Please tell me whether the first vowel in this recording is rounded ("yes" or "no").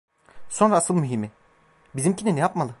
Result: yes